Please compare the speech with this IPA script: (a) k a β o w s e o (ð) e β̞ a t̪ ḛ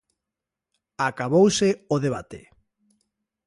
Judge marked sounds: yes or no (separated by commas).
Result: yes, yes